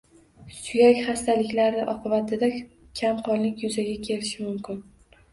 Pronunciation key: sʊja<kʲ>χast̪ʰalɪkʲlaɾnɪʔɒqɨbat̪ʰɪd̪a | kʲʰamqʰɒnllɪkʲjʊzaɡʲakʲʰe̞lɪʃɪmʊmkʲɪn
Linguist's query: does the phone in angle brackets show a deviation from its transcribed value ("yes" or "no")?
no